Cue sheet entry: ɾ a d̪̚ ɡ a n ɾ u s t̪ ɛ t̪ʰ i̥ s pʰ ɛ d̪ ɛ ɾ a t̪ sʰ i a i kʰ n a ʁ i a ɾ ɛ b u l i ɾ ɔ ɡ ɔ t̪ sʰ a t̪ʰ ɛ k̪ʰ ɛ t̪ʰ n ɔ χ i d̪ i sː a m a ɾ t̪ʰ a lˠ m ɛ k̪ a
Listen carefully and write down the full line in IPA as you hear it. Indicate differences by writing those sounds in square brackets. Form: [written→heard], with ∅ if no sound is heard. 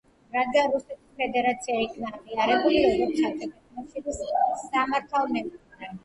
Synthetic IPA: ɾ a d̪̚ ɡ a n ɾ u s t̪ ɛ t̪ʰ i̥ s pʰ ɛ d̪ ɛ ɾ a t̪ sʰ i a i kʰ n a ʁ i a ɾ ɛ b u l i ɾ ɔ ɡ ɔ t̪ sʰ a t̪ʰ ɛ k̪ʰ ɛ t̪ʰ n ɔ [χ→ʃ] i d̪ i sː a m a ɾ t̪ʰ a lˠ m ɛ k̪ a